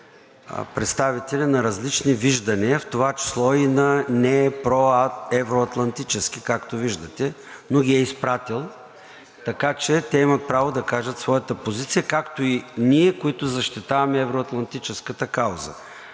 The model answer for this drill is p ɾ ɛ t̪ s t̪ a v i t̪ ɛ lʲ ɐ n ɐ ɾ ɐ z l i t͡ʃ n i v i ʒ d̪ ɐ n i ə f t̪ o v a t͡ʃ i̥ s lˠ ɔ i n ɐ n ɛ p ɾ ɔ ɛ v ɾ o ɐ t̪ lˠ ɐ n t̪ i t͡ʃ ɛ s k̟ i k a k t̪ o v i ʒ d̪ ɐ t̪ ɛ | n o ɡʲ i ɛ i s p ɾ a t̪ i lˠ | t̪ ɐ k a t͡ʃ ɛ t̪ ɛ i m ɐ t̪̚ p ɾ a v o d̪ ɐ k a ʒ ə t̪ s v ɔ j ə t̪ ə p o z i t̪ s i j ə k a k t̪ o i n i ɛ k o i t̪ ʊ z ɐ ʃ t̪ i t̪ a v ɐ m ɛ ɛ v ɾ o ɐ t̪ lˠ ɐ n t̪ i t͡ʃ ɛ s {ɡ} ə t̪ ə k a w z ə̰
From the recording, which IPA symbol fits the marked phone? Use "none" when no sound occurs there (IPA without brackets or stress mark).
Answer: k